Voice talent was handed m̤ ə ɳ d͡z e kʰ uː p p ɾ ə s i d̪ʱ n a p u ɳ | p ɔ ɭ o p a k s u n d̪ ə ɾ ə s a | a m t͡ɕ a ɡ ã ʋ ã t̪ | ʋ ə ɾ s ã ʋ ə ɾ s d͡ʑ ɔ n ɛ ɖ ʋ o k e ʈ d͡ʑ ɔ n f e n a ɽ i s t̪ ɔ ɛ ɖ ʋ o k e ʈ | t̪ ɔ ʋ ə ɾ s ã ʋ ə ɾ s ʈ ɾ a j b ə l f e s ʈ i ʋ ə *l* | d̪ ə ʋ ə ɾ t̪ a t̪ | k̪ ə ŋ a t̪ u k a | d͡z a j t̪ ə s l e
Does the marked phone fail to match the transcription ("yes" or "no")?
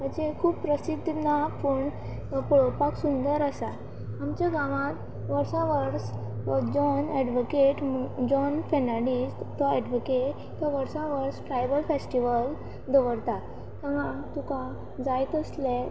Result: no